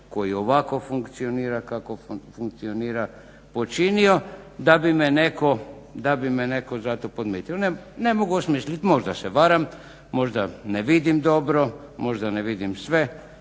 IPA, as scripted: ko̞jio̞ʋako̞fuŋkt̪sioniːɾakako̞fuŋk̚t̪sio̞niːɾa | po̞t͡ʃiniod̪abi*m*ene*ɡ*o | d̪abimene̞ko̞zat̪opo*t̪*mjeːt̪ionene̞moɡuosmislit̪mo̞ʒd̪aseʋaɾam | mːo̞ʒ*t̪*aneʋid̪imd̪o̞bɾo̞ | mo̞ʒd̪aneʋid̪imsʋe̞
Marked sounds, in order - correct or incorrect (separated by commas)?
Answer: correct, incorrect, incorrect, incorrect